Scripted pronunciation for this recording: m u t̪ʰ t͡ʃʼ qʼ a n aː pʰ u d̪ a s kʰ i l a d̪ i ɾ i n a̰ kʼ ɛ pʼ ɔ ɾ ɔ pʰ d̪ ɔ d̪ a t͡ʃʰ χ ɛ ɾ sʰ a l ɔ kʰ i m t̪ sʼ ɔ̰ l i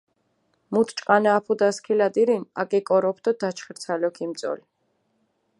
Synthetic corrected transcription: m u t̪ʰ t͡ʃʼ qʼ a n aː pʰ u d̪ a s kʰ i l a d̪ i ɾ i n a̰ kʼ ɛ kʼ ɔ ɾ ɔ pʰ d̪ ɔ d̪ a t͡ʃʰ χ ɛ ɾ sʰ a l ɔ kʰ i m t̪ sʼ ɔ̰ l i